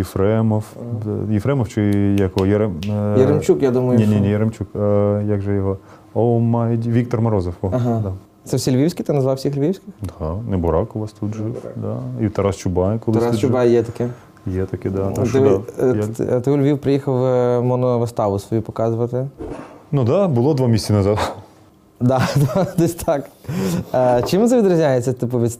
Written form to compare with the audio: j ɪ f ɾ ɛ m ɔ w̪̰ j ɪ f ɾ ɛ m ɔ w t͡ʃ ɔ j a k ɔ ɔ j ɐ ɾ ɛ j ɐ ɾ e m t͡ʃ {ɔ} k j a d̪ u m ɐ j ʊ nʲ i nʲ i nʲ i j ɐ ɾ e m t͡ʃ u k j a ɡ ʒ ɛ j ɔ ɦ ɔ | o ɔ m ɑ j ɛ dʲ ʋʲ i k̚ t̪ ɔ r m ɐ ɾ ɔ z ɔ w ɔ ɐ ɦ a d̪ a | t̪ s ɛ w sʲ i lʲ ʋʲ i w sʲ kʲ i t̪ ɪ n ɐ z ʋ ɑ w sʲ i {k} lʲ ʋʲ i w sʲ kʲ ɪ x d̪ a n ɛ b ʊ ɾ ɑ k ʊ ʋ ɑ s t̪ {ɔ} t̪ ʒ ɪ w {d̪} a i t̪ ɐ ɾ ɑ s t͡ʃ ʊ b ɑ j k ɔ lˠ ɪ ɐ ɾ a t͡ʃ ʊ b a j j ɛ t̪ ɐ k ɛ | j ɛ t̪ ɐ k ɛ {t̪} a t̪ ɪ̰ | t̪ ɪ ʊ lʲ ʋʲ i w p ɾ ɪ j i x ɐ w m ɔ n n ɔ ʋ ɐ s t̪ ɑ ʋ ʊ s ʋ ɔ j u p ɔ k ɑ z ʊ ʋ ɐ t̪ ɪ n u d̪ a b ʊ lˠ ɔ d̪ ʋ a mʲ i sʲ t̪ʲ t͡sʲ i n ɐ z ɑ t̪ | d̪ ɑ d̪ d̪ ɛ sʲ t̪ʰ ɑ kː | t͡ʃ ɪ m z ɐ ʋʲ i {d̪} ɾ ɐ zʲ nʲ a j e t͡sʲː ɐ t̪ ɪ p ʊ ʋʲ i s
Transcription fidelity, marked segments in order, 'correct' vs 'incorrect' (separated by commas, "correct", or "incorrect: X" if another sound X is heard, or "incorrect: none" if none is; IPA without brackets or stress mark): incorrect: u, incorrect: x, incorrect: u, correct, incorrect: d̪, correct